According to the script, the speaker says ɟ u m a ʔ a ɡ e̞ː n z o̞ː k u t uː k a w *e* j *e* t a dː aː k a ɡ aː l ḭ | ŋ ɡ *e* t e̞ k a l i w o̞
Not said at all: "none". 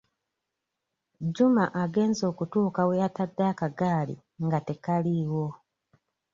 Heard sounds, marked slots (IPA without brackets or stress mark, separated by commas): e, a, a